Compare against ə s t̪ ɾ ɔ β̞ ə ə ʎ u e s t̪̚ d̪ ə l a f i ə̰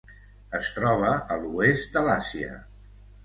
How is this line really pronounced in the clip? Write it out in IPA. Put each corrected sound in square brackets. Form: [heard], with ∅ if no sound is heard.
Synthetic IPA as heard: ə s t̪ ɾ ɔ β̞ ə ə [l] u e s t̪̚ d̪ ə l a [s] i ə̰